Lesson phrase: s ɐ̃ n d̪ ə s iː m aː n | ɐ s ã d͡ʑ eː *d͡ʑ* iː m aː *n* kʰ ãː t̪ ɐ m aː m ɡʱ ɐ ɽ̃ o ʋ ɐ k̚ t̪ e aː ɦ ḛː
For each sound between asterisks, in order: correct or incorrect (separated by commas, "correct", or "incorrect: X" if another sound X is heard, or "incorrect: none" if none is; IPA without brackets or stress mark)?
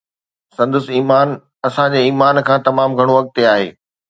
incorrect: none, correct